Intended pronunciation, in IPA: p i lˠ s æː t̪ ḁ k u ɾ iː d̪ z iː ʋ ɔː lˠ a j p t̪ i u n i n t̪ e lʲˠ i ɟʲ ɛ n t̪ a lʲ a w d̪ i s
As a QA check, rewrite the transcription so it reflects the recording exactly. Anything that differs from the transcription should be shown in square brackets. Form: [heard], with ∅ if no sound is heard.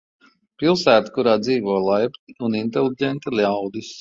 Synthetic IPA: p i lˠ s æː t̪ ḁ k u ɾ [aː] d̪ z iː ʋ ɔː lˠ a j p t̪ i u n i n t̪ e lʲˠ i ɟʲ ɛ n t̪ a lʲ a w d̪ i s